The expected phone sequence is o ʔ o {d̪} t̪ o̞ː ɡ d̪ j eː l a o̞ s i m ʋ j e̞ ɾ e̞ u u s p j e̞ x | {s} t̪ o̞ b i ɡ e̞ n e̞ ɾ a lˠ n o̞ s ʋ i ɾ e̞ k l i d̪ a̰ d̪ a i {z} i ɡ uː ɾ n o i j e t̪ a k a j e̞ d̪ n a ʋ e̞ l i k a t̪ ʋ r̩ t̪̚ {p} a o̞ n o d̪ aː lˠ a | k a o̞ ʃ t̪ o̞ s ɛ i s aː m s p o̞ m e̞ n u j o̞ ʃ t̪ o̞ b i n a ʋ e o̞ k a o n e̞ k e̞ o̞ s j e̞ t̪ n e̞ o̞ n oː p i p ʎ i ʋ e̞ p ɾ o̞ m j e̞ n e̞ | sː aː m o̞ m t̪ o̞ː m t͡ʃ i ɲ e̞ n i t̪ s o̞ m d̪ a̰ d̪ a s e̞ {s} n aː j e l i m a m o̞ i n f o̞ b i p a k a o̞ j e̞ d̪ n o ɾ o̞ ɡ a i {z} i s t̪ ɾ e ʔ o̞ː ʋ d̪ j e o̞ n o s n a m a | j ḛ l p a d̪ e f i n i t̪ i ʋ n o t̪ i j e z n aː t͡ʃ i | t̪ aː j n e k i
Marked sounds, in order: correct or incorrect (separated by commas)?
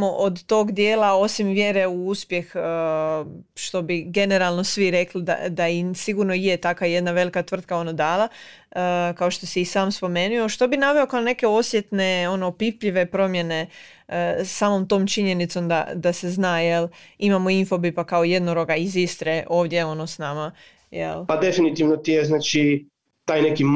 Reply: correct, incorrect, incorrect, incorrect, incorrect, correct